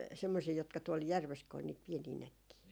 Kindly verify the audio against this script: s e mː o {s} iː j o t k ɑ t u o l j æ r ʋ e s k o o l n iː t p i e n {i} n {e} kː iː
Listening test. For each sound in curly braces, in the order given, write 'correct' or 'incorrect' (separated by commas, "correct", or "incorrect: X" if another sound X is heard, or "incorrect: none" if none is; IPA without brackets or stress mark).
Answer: correct, incorrect: iː, incorrect: æ